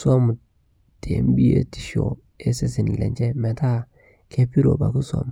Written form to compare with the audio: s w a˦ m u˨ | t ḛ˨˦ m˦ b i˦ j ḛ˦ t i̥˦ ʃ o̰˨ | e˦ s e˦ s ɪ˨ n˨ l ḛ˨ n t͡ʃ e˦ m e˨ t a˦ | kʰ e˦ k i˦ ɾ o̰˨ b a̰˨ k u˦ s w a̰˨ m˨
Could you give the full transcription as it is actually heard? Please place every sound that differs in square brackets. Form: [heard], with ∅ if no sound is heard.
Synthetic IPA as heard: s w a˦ m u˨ | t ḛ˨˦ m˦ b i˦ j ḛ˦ t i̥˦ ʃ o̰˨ | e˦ s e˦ s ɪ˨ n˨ l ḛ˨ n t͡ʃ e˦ m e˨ t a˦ | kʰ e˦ [p] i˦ ɾ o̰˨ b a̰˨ k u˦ s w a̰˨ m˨